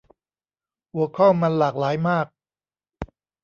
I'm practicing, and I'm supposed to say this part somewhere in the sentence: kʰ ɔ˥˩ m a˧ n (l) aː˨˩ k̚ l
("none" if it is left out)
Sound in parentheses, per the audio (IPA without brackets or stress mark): l